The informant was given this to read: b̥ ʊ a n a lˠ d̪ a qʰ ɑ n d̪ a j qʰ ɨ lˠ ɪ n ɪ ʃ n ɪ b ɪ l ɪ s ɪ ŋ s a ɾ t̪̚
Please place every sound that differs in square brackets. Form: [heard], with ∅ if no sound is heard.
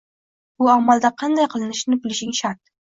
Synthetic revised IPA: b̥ ʊ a [m] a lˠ d̪ a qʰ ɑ n d̪ a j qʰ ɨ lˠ ɪ n ɪ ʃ n ɪ b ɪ l ɪ [ʃ] ɪ ŋ [ʃ] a ɾ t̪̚